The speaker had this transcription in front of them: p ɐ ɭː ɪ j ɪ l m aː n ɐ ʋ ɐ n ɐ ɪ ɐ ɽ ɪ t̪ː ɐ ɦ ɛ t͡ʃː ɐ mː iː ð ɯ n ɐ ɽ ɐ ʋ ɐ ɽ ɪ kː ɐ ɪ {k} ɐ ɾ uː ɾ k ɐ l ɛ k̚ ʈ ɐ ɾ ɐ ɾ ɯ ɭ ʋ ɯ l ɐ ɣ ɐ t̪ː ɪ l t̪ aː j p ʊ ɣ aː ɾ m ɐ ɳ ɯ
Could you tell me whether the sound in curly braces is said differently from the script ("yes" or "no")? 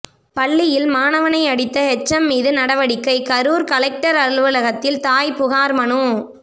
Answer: no